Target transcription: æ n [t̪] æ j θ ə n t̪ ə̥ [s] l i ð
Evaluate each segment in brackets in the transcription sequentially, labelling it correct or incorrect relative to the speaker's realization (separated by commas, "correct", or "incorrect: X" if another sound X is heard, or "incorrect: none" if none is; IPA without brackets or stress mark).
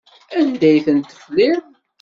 incorrect: d̪, incorrect: f